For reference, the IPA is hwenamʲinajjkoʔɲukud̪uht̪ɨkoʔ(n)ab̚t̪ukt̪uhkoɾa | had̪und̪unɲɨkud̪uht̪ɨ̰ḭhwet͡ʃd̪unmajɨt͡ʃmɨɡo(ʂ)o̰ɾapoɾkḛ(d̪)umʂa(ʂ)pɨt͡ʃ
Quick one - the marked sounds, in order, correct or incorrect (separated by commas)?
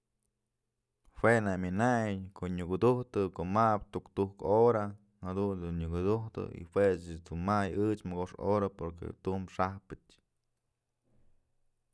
incorrect, correct, incorrect, incorrect